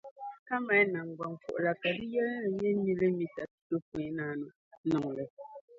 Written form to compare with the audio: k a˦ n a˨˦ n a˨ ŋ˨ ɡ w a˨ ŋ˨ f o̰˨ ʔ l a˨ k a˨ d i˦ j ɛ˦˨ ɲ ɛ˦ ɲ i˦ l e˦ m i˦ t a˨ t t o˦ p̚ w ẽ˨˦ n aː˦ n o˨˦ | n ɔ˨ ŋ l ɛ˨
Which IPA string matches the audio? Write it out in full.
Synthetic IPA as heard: k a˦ m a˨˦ n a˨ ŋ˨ ɡ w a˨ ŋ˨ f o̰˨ ʔ l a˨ k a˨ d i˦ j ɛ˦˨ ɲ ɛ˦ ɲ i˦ l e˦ m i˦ t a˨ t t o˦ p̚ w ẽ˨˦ n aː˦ n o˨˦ | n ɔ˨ ŋ l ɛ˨